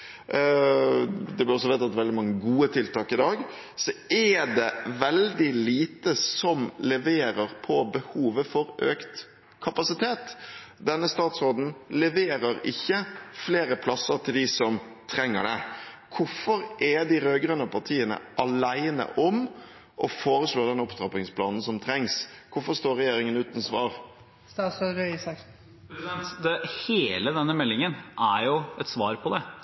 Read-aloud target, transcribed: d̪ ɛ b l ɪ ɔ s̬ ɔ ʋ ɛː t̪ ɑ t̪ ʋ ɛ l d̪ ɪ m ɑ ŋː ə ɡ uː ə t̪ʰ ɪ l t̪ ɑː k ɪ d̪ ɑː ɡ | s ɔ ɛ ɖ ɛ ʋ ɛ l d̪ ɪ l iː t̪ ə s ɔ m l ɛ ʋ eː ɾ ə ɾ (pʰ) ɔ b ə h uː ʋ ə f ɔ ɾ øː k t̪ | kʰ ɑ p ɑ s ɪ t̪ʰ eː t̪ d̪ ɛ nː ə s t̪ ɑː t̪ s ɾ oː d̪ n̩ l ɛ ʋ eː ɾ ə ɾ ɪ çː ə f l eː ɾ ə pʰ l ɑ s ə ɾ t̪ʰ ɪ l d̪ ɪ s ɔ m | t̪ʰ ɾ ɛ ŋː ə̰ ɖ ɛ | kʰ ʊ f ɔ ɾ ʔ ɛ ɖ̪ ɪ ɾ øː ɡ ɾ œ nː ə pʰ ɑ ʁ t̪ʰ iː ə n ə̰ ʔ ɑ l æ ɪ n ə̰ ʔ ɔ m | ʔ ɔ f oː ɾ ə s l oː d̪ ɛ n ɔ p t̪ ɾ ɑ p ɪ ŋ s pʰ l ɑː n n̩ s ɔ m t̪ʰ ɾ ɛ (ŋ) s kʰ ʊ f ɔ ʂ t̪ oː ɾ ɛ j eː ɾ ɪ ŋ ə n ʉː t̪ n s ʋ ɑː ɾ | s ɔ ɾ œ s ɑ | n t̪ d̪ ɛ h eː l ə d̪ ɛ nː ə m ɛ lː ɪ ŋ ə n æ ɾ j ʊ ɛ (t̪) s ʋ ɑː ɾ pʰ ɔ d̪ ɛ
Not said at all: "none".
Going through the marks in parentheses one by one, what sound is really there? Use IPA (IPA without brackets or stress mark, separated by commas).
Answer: pʰ, ŋ, t̪